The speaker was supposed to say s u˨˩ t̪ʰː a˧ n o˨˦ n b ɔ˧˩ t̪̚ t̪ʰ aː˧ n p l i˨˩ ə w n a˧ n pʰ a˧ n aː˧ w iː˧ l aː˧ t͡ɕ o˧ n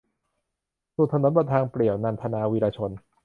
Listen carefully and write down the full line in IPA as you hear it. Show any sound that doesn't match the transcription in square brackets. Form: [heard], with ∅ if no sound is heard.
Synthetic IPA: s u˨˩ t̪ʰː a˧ n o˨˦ n b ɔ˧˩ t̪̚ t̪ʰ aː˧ [ŋ] p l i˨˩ ə w n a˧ n pʰ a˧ n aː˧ w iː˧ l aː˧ [t͡ɕʰ] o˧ n